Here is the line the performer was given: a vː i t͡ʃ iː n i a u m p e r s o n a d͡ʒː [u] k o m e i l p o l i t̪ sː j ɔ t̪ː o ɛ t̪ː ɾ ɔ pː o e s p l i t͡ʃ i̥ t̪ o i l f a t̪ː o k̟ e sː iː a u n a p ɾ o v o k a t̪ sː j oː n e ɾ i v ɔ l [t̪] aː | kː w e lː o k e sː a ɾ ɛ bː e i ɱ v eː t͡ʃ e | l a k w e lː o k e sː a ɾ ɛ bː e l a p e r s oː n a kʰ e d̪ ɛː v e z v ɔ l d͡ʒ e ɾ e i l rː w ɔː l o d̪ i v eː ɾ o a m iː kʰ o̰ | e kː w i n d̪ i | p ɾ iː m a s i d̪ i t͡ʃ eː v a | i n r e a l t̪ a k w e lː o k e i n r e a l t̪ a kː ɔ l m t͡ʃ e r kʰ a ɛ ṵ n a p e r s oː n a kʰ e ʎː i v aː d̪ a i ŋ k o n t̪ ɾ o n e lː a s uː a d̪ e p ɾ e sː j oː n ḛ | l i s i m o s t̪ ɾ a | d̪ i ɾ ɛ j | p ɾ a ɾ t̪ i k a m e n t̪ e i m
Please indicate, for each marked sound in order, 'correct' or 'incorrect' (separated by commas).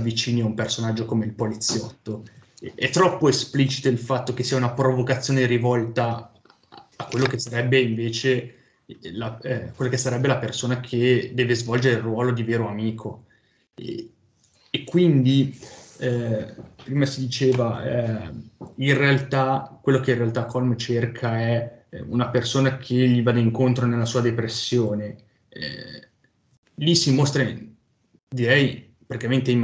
incorrect, correct